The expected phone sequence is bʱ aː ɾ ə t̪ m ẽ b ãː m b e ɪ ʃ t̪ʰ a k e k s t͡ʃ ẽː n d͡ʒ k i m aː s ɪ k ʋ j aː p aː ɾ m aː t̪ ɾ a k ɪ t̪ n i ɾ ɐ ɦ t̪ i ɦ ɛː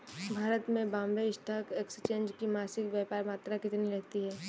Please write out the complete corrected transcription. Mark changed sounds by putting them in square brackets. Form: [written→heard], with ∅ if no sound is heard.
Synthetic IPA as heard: bʱ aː ɾ ə t̪ m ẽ b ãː m b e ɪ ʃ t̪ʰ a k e k s t͡ʃ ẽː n d͡ʒ k i m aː s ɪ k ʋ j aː p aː ɾ m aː t̪ ɾ a k ɪ t̪ n i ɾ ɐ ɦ t̪ i ɦ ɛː